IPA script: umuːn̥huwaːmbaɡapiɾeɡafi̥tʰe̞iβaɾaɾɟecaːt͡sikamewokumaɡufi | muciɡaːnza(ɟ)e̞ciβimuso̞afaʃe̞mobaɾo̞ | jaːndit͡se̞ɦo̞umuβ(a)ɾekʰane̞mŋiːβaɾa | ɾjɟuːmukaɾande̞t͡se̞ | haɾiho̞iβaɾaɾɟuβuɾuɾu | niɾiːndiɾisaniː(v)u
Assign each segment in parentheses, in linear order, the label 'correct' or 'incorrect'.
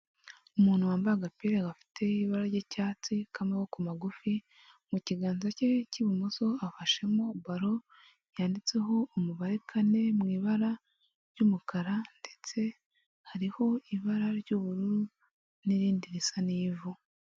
incorrect: c, correct, correct

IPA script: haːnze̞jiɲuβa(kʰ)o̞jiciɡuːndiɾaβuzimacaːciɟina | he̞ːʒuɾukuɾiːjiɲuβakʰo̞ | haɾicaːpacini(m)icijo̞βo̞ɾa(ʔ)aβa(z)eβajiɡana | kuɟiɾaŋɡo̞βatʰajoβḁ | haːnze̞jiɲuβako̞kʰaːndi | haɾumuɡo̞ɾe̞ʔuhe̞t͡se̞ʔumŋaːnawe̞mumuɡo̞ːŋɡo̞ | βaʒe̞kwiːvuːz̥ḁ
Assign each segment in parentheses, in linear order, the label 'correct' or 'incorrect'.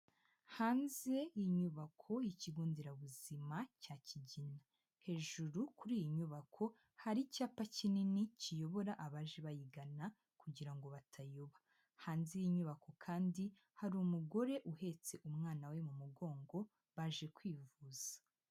correct, incorrect: n, correct, incorrect: ʒ

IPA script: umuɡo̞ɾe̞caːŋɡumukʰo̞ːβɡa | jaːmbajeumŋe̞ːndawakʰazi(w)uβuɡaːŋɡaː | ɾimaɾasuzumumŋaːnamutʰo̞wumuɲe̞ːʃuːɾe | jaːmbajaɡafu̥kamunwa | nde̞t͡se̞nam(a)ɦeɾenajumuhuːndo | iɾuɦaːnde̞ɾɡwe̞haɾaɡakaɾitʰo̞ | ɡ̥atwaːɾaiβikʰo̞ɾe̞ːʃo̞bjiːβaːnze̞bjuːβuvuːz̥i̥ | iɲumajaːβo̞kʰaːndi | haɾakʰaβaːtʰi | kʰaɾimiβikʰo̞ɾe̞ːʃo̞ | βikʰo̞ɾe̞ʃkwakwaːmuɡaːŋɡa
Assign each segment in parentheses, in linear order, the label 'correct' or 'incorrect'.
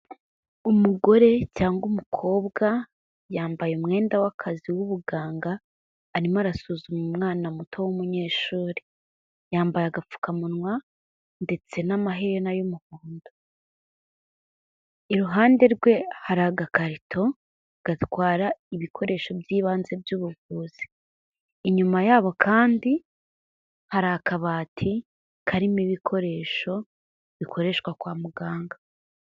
correct, correct

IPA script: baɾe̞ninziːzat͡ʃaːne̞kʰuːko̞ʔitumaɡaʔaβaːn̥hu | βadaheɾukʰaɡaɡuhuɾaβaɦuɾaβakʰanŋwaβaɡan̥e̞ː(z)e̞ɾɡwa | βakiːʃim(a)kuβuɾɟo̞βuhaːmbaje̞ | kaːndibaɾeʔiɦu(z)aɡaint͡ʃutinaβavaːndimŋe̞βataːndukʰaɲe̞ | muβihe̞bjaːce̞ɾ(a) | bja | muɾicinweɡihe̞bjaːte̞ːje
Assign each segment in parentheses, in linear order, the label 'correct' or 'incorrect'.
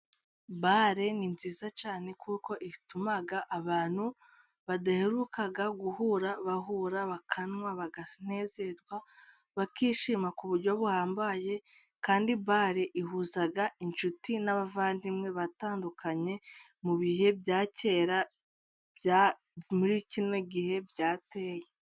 correct, correct, correct, correct

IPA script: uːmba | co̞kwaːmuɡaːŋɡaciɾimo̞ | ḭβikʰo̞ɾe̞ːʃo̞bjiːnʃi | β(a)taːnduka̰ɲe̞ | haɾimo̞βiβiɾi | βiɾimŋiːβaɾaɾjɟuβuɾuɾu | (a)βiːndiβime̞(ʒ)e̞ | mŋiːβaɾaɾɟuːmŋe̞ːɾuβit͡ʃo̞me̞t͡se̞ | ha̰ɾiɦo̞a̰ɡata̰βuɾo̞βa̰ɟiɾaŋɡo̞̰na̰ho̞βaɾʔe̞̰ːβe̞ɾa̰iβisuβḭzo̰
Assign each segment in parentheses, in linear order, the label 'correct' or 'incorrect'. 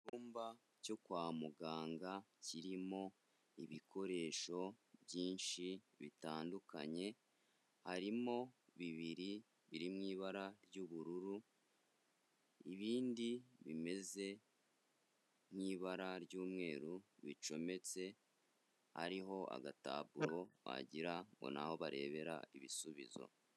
incorrect: i, incorrect: i, incorrect: z

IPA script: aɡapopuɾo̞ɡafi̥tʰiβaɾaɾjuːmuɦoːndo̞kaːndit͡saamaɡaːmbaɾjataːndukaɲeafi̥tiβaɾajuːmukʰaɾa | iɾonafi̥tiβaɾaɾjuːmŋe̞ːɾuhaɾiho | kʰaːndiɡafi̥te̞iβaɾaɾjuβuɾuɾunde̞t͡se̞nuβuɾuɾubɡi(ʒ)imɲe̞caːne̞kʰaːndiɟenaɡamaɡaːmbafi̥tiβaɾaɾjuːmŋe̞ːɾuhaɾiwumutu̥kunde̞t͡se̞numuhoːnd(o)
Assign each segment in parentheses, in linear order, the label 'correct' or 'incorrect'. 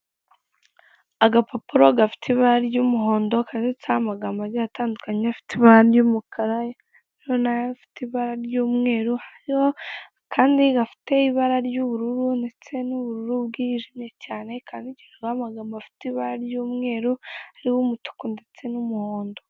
correct, correct

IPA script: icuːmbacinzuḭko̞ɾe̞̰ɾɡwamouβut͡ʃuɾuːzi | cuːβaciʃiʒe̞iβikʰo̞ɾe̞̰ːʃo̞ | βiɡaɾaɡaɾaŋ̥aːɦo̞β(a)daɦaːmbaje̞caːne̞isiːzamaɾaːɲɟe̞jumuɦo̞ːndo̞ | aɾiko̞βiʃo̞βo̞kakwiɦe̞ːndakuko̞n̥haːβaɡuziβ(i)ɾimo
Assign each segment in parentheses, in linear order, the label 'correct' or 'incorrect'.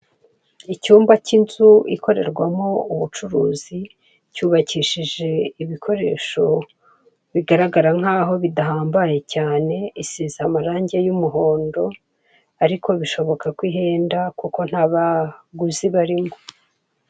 incorrect: i, incorrect: a

